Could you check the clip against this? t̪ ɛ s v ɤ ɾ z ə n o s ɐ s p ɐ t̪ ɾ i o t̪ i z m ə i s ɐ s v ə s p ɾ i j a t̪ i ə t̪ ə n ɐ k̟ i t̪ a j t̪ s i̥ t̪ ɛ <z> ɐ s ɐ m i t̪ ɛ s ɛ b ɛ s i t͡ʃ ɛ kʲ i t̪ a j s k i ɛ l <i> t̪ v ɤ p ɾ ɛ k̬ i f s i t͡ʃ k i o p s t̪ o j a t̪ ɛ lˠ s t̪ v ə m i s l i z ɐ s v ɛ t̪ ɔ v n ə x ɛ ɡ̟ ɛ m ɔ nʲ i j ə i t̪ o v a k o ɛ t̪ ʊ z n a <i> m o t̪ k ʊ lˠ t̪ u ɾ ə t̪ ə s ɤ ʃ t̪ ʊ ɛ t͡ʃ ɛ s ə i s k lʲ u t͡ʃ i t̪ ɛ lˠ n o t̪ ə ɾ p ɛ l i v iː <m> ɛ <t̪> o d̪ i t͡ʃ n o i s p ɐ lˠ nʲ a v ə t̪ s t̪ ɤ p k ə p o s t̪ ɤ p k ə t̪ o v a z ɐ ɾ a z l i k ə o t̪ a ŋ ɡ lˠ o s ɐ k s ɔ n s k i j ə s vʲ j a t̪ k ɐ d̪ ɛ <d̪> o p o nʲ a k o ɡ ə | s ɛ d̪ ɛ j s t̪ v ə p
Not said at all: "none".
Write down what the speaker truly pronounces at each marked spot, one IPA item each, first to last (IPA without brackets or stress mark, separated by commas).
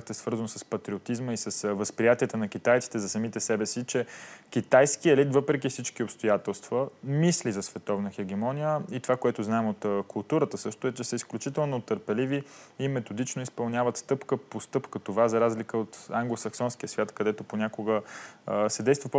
z, i, ɛ, m, t̪, t̪